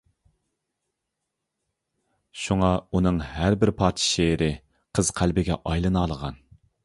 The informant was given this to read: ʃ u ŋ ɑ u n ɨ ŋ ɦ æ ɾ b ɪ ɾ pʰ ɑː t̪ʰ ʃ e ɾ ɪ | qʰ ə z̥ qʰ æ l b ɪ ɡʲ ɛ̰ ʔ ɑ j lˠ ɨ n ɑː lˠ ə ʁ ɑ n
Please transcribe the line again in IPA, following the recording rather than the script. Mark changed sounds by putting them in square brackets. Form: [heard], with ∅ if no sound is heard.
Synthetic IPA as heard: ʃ u ŋ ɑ u n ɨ ŋ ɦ æ ɾ b ɪ ɾ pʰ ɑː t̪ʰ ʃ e ɾ ɪ | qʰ ə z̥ qʰ æ l b ɪ ɡʲ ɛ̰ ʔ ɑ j lˠ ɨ n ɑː lˠ ə ʁ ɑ n